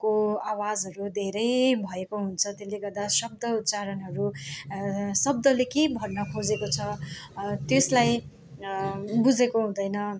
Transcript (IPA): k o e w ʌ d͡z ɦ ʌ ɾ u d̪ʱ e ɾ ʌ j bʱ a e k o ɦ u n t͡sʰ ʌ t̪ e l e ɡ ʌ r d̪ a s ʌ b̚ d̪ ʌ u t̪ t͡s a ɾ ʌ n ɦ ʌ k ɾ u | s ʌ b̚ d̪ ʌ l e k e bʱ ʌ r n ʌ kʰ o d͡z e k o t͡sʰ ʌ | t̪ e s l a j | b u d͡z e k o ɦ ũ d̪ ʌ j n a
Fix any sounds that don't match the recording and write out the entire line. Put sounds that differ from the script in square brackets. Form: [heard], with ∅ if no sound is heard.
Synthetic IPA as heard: k o [a] w [a] d͡z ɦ ʌ ɾ u d̪ʱ e ɾ ʌ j bʱ [ʌ] e k o ɦ u n t͡sʰ ʌ t̪ e l e ɡ ʌ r d̪ a s ʌ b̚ d̪ ʌ u t̪ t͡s a ɾ ʌ n ɦ ʌ [∅] ɾ u | s ʌ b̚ d̪ ʌ l e k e bʱ ʌ r n ʌ kʰ o d͡z e k o t͡sʰ ʌ | t̪ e s l a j | b u d͡z e k o ɦ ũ d̪ ʌ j n [ʌ]